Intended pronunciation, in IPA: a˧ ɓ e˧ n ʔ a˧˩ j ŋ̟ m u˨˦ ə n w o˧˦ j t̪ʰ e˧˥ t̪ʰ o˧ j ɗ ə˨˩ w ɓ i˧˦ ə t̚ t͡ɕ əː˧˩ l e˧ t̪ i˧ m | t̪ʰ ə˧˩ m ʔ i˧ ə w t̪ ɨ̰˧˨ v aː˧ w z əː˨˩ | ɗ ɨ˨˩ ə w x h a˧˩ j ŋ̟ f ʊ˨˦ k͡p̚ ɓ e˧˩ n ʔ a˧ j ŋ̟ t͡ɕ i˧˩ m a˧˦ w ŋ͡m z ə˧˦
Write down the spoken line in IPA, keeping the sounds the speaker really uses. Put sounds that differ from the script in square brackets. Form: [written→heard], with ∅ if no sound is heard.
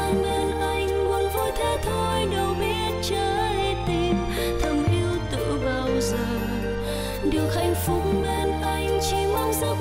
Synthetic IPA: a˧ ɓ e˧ n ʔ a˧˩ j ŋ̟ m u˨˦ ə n [w→v] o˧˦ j t̪ʰ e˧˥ t̪ʰ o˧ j ɗ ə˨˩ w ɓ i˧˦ ə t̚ t͡ɕ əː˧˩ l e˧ t̪ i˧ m | t̪ʰ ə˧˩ m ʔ i˧ ə w t̪ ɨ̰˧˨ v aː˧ w z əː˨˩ | ɗ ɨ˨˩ ə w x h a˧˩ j ŋ̟ f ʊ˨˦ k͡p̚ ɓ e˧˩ n ʔ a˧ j ŋ̟ t͡ɕ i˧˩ m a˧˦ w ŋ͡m z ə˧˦